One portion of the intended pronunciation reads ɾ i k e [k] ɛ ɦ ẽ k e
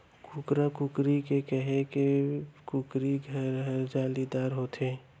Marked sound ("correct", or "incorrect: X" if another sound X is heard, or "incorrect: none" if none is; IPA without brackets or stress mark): correct